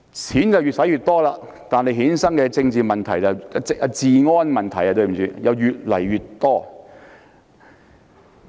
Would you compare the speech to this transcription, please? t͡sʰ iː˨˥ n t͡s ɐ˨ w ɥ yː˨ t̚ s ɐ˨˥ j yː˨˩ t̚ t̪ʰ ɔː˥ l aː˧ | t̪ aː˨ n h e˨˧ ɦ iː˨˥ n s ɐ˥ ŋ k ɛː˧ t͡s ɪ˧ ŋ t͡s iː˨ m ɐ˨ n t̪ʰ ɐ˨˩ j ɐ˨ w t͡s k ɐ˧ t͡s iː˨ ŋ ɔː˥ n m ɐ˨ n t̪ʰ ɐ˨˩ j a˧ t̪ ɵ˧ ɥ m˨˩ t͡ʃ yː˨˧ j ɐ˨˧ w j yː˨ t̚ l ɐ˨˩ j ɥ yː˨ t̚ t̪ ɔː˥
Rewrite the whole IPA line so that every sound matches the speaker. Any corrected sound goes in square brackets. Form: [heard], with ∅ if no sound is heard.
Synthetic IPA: t͡sʰ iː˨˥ n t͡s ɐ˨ w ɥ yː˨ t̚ s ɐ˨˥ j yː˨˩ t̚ [t̪] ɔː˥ l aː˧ | t̪ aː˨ n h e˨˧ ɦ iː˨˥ n s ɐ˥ ŋ k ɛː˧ t͡s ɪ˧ ŋ t͡s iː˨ m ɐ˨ n t̪ʰ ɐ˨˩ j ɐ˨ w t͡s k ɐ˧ t͡s iː˨ ŋ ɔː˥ n m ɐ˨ n t̪ʰ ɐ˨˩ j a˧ t̪ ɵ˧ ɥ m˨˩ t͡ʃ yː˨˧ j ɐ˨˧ w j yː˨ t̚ l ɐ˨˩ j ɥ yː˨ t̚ t̪ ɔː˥

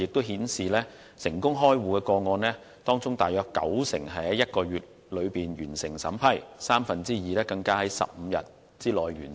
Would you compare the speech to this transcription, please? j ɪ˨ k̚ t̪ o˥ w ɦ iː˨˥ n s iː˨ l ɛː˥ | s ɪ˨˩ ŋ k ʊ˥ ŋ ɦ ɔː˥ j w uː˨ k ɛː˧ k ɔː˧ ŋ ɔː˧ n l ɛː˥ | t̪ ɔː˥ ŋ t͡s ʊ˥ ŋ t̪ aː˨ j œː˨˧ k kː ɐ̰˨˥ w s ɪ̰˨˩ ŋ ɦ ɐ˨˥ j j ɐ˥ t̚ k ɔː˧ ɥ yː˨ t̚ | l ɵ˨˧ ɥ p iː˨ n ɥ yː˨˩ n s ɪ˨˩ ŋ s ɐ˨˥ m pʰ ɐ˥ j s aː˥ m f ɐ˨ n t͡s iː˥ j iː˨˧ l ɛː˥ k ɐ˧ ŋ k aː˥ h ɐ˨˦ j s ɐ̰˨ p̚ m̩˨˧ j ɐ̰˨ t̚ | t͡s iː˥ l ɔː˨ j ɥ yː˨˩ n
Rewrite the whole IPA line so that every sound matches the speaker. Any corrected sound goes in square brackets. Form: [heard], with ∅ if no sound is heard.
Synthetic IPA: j ɪ˨ k̚ t̪ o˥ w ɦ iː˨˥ n s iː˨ l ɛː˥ | s ɪ˨˩ ŋ k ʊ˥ ŋ ɦ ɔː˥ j w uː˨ k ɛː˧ k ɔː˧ ŋ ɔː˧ n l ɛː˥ | t̪ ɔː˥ ŋ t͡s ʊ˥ ŋ t̪ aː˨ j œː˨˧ k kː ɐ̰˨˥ w s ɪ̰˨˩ ŋ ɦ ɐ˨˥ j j ɐ˥ t̚ k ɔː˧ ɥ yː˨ t̚ | l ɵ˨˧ ɥ p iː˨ n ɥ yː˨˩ n s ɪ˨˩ ŋ s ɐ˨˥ m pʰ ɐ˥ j s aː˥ m f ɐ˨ n t͡s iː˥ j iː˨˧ l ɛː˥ k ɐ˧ ŋ k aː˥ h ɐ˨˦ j s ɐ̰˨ p̚ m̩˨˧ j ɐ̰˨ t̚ | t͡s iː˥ l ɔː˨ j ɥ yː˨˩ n

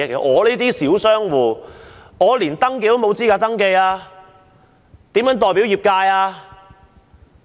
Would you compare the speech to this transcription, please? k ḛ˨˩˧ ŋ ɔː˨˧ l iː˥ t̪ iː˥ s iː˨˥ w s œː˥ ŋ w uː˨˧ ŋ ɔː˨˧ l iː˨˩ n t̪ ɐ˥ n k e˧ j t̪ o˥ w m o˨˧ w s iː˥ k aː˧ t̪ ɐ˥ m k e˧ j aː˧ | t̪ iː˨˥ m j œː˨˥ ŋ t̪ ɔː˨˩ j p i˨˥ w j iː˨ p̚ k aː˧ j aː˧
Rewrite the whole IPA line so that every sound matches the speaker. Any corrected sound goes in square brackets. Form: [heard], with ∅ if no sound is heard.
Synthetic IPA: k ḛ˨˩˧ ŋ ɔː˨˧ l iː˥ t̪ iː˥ s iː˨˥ w s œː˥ ŋ w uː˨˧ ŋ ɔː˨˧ l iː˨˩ n t̪ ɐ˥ [ŋ] k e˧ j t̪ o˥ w m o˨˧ w [t͡s] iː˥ k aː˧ t̪ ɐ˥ [ŋ] k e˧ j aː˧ | t̪ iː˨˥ m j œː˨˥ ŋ t̪ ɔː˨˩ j p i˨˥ w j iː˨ p̚ k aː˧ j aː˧

